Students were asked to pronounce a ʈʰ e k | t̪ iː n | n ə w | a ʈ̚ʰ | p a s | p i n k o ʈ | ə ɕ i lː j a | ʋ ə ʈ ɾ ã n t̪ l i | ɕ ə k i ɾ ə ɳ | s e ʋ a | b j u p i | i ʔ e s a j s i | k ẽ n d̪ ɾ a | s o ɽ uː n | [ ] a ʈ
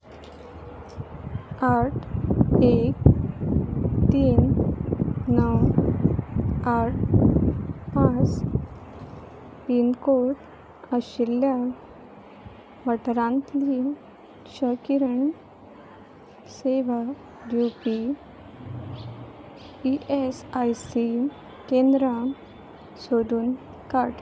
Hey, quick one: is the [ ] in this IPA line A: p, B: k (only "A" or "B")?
B